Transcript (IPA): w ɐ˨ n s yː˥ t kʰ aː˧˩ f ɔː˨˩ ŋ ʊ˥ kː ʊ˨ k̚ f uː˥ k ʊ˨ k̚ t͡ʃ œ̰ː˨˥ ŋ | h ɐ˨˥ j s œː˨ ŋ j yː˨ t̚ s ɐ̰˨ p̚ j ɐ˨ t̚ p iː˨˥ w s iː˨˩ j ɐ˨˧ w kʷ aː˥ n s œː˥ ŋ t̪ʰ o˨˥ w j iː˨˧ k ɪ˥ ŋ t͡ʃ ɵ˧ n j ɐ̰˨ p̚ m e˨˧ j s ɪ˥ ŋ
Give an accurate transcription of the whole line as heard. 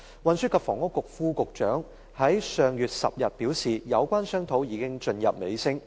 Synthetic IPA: w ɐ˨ n s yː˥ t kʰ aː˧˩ f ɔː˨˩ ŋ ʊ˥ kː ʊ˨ k̚ f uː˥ k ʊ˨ k̚ t͡ʃ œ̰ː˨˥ ŋ | h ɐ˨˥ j s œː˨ ŋ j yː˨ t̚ s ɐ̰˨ p̚ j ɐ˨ t̚ p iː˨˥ w s iː˨˩ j ɐ˨˧ w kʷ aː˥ n s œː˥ ŋ t̪ʰ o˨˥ w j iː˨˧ k ɪ˥ ŋ t͡ʃ ɵ˧ n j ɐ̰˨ p̚ m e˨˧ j s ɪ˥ ŋ